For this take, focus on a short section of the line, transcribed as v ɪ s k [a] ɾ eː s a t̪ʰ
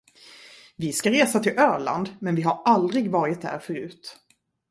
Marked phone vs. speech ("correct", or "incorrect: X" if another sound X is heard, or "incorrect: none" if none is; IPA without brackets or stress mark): correct